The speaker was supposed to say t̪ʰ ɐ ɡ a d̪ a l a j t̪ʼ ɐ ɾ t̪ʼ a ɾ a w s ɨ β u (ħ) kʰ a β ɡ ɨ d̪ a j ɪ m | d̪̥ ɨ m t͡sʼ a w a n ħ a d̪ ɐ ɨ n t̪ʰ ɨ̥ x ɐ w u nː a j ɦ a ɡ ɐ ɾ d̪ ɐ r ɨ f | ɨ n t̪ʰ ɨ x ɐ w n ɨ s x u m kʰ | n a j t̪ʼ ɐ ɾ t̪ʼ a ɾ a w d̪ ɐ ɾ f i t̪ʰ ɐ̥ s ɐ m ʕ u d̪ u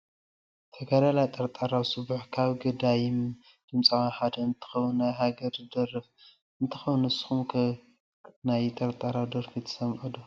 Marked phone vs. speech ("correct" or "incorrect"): correct